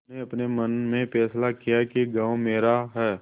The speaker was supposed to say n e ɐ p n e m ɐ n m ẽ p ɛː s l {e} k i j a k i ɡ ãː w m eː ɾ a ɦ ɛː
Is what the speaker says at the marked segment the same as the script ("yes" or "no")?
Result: no